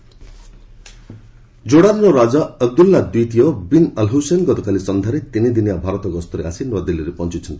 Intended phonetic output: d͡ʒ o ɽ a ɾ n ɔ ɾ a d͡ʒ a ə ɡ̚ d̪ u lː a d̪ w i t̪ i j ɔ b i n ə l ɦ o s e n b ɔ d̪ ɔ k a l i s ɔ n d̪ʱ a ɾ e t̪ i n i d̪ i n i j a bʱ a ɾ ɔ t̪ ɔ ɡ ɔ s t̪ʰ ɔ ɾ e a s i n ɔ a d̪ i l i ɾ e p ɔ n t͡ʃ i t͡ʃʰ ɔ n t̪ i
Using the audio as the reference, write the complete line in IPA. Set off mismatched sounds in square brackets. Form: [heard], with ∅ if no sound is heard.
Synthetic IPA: d͡ʒ o ɽ a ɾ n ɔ ɾ a d͡ʒ a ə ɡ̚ d̪ u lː a d̪ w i t̪ i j ɔ b i n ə l ɦ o s e n [ɡ] ɔ [t̪] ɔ k a l i s ɔ n d̪ʱ a ɾ e t̪ i n i d̪ i n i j a bʱ a ɾ ɔ t̪ ɔ ɡ ɔ s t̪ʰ ɔ ɾ e a s i n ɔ a d̪ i l i ɾ e p ɔ n t͡ʃ i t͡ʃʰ ɔ n t̪ i